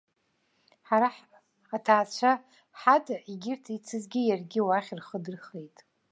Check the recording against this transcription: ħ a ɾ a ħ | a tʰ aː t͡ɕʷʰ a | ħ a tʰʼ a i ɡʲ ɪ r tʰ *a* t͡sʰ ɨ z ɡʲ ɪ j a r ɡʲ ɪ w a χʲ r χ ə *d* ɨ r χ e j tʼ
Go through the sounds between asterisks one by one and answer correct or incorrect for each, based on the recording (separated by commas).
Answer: incorrect, correct